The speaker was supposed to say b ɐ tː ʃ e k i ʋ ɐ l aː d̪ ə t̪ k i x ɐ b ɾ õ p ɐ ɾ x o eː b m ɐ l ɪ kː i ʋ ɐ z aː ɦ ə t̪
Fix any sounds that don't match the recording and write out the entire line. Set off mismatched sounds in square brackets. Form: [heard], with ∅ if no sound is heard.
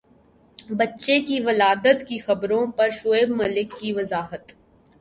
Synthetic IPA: b ɐ tː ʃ e k i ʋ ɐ l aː d̪ ə t̪ k i x ɐ b ɾ õ p ɐ ɾ [ʃ] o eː b m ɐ l ɪ kː i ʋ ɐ z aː ɦ ə t̪